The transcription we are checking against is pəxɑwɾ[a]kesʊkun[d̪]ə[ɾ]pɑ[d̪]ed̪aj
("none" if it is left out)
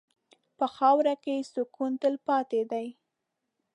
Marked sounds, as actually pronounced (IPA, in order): a, t̪, l, t̪

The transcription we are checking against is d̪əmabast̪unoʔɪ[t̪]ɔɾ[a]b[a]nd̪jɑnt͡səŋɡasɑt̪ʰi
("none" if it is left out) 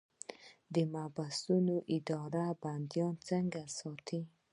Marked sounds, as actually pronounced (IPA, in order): d̪, a, a

